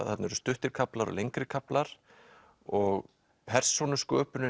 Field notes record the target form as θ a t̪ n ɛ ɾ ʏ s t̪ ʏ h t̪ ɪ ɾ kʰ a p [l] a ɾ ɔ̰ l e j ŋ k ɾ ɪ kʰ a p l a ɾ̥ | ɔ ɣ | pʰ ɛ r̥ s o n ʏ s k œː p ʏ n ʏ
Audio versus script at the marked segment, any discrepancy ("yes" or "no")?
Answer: no